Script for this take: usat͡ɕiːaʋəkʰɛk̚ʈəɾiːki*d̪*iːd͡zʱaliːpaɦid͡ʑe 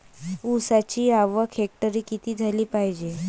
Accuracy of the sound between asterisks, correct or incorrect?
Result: incorrect